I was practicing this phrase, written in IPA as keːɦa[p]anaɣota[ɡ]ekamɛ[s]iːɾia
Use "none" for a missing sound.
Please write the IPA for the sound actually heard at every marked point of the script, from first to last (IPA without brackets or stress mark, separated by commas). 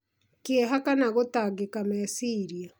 k, ɡ, s